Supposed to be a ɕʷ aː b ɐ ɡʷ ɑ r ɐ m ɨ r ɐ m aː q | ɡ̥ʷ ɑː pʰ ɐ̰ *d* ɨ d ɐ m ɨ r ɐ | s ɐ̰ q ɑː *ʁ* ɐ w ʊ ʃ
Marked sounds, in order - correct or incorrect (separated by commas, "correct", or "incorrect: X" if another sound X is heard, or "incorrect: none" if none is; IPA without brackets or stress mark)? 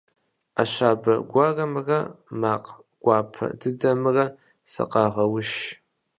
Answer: correct, correct